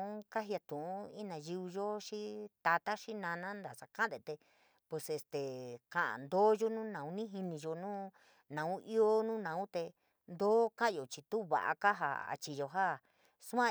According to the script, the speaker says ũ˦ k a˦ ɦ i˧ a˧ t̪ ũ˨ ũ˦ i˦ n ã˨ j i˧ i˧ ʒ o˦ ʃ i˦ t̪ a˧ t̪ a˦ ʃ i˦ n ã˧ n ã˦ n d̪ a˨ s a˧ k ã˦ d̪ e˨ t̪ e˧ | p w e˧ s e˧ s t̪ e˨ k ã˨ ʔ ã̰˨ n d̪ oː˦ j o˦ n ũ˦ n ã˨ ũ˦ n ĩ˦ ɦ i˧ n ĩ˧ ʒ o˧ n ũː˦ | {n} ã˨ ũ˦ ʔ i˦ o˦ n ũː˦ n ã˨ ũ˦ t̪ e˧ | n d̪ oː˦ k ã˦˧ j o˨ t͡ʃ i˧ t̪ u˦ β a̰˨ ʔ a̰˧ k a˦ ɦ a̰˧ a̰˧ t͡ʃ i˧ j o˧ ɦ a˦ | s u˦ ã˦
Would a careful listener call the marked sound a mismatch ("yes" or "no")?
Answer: no